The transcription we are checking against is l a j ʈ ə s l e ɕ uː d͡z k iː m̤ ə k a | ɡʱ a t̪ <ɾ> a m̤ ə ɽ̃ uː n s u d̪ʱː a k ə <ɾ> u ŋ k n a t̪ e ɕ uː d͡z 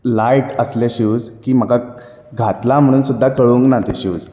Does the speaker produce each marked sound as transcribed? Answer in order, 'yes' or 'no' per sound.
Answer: no, no

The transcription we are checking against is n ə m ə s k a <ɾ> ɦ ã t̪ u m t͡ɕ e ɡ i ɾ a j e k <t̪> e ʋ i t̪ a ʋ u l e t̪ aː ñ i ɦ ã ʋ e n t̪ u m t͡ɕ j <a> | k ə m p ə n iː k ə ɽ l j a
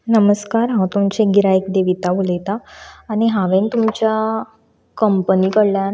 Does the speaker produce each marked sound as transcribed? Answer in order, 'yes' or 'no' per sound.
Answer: yes, no, yes

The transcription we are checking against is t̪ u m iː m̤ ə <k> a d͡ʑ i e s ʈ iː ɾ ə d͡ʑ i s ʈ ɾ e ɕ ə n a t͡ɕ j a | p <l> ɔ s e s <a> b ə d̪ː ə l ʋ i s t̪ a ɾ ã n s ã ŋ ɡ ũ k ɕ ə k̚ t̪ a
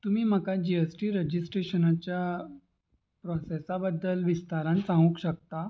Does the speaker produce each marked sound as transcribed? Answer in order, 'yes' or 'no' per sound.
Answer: yes, no, yes

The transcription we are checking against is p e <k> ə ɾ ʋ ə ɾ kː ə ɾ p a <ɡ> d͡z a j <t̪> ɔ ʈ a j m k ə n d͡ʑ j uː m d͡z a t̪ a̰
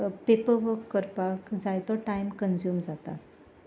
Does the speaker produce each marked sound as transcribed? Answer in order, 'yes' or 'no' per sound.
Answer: no, no, yes

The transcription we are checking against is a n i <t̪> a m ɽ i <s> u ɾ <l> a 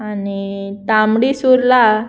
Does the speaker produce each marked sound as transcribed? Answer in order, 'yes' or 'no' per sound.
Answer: yes, yes, yes

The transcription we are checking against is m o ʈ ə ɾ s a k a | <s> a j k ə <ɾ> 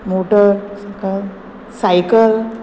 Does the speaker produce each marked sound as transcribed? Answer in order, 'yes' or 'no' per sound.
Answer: yes, no

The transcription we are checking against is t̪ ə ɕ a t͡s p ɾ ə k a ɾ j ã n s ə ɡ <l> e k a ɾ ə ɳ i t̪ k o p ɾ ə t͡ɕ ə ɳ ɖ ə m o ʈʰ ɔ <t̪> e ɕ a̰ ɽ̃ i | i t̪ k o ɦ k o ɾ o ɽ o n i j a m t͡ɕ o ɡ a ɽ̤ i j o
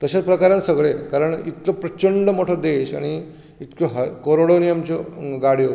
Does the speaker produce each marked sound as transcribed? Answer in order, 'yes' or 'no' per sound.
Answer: no, no

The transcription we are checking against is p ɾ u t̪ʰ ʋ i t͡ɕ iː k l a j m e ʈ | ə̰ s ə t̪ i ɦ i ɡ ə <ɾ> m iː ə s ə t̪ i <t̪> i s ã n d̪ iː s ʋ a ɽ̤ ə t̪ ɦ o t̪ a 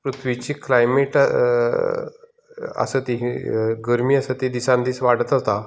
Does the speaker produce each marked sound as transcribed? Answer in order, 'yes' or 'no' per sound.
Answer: yes, no

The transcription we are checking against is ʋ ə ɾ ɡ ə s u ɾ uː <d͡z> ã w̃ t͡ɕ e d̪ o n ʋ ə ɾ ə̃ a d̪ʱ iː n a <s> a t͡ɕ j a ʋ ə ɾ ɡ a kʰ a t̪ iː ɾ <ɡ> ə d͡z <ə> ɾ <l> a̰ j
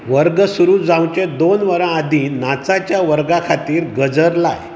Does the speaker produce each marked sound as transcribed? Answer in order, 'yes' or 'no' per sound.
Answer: yes, no, yes, yes, yes

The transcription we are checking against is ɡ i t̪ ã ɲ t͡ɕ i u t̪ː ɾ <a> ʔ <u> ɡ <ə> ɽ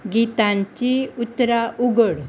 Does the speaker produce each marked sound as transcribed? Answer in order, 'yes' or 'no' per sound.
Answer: yes, yes, yes

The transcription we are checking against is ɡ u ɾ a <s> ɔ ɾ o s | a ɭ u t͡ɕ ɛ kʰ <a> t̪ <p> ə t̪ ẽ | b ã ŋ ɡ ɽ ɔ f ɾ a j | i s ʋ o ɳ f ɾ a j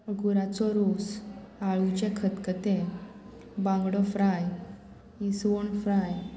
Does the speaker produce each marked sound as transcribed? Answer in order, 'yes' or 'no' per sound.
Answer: no, no, no

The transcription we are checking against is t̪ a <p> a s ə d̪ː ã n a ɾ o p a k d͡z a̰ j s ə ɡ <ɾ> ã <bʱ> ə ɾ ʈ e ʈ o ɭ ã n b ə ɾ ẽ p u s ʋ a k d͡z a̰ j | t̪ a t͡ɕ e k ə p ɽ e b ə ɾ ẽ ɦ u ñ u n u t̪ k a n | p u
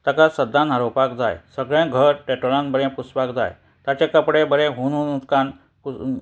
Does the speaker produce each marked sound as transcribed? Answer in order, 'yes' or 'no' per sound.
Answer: no, no, no

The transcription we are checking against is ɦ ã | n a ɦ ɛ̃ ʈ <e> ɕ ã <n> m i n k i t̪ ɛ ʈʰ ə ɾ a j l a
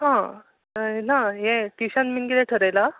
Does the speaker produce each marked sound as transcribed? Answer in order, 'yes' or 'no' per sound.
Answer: no, yes

